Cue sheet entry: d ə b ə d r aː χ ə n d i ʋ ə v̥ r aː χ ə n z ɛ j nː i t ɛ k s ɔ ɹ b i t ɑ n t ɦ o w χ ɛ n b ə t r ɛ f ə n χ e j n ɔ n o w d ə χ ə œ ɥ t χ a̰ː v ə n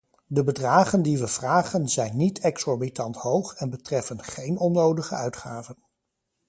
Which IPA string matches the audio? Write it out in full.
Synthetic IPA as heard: d ə b ə d r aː χ ə n d i ʋ ə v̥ r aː χ ə n z ɛ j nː i t ɛ k s ɔ ɹ b i t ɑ n t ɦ o w χ ɛ n b ə t r ɛ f ə n χ e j n ɔ n o w d ə χ ə œ ɥ t χ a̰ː v ə n